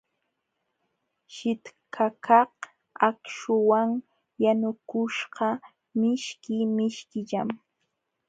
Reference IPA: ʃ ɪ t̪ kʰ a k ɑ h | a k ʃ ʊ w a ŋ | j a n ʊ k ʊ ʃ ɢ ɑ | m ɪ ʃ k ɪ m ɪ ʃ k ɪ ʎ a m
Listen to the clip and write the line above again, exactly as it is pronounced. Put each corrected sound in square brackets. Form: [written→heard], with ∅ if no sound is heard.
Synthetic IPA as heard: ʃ ɪ t̪ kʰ a k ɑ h | a k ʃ ʊ w a ŋ | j a n ʊ k ʊ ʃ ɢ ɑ | m ɪ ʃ k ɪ m ɪ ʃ k ɪ ʎ a m